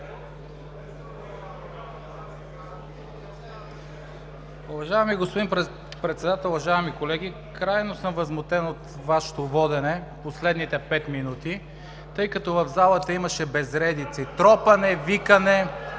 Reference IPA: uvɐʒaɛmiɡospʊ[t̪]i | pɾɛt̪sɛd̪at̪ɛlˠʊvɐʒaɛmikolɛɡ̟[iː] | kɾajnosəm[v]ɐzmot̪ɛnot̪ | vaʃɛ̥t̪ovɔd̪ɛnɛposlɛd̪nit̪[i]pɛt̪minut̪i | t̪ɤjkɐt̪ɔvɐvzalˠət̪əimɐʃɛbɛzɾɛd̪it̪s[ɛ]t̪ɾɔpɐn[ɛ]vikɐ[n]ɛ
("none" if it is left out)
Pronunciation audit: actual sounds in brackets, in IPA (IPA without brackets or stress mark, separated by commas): d̪, i, v, ɛ, i, ɛ, n